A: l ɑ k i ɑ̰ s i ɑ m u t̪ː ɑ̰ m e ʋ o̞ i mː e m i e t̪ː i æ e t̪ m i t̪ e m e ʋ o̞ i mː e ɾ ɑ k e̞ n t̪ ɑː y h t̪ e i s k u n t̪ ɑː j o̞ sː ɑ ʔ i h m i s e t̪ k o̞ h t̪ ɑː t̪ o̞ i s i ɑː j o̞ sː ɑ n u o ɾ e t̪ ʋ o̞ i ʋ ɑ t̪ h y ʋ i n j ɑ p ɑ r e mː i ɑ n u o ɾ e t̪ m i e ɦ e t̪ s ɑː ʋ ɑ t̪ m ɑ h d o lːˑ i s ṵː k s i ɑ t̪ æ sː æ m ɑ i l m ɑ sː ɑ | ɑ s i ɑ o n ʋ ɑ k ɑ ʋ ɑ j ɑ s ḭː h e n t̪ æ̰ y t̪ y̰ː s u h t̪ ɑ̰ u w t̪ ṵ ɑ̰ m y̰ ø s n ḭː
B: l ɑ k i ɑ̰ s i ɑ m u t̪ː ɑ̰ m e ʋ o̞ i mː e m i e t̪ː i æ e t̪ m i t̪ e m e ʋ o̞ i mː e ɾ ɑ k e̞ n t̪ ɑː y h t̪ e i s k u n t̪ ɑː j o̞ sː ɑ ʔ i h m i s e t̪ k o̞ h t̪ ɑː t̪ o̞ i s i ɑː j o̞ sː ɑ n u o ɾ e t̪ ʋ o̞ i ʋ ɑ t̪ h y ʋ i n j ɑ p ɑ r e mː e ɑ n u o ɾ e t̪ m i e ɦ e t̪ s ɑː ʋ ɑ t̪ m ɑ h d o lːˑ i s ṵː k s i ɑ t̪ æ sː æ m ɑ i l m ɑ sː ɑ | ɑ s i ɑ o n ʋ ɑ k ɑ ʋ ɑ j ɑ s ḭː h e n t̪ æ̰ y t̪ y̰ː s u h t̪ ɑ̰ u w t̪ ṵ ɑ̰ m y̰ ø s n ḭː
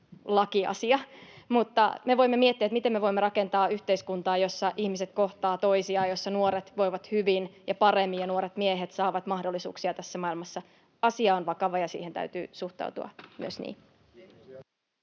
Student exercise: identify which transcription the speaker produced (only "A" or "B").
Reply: A